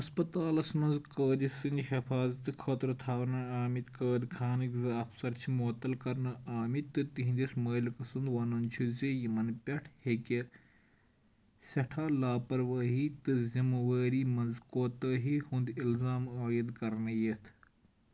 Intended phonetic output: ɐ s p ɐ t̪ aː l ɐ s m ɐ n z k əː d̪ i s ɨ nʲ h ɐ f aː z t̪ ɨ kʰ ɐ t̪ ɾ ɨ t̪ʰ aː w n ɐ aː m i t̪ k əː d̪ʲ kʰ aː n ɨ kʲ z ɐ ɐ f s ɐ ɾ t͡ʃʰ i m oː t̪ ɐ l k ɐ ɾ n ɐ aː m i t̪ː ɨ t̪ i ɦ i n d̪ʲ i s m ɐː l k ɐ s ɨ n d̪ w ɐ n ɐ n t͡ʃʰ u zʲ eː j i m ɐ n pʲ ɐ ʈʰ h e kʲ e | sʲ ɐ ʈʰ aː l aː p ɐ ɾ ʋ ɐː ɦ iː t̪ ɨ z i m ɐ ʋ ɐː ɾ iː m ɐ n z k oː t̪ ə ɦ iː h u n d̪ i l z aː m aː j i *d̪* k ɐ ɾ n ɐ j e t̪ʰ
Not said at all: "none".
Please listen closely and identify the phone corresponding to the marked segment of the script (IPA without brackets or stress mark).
d̪